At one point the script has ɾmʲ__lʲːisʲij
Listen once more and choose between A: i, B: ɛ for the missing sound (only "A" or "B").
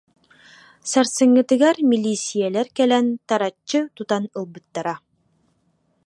A